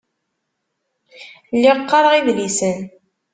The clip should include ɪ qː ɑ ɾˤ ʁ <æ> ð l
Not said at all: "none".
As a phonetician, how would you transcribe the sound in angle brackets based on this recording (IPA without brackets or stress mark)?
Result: i